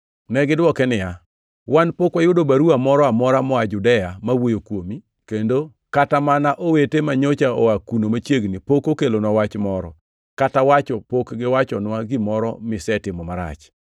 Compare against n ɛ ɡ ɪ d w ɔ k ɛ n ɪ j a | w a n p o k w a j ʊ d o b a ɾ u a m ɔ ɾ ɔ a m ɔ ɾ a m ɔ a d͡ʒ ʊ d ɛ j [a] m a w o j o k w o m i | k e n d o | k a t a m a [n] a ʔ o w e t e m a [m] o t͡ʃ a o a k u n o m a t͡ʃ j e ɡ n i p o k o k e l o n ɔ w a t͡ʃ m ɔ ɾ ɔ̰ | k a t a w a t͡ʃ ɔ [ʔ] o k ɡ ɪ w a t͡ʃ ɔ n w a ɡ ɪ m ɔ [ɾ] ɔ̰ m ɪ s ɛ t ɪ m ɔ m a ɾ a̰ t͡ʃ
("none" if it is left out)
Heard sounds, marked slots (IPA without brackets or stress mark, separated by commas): a, n, ɲ, p, ɾ